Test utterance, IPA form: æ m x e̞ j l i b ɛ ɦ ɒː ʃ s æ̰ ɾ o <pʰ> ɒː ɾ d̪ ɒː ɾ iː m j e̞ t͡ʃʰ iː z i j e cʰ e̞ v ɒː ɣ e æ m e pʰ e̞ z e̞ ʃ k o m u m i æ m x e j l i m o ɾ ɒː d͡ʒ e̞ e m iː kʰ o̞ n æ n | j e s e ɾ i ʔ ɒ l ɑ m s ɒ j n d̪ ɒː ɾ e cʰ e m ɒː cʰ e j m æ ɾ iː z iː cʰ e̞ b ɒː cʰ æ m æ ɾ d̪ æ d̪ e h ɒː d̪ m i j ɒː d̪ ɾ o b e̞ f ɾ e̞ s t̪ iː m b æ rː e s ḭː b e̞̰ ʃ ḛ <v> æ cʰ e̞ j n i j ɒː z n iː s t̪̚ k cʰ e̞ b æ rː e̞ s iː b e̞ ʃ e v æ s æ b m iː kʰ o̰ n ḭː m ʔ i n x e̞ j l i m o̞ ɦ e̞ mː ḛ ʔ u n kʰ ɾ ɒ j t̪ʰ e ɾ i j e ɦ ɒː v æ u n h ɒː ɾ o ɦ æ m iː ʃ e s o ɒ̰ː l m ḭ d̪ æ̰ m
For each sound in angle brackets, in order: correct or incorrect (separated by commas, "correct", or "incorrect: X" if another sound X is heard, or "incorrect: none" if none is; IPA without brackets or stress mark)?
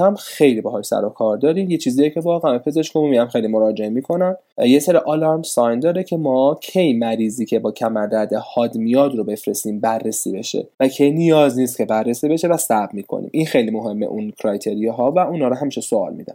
incorrect: kʰ, correct